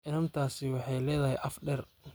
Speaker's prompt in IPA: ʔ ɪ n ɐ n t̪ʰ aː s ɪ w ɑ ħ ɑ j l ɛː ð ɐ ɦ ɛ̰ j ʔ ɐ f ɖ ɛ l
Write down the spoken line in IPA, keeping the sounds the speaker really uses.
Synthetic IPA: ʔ ɪ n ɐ n t̪ʰ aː s ɪ w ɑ ħ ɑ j l ɛː ð ɐ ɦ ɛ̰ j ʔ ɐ f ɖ ɛ r